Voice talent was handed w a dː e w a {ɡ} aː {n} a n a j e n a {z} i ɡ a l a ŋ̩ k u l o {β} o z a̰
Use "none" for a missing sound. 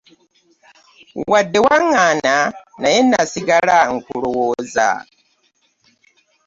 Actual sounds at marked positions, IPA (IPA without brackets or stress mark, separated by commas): ŋ, n, s, w